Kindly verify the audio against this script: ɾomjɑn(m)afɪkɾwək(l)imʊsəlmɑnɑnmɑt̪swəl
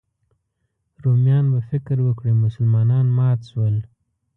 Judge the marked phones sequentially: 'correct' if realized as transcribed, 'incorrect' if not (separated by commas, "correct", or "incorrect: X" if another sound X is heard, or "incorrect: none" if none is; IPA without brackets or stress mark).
incorrect: b, incorrect: ɽ